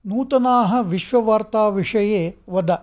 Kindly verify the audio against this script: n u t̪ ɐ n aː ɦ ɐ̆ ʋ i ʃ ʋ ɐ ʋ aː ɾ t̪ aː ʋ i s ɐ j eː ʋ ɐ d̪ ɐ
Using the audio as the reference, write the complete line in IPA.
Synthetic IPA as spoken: n uː t̪ ɐ n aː ɦ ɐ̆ ʋ i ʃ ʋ ɐ ʋ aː ɾ t̪ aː ʋ i ʂ ɐ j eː ʋ ɐ d̪ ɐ